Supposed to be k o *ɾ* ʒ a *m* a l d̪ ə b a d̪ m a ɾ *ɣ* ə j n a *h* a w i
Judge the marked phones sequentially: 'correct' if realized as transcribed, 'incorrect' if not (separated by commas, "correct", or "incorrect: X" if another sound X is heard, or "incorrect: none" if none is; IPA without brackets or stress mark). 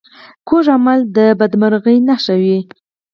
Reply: incorrect: none, correct, correct, incorrect: ʃ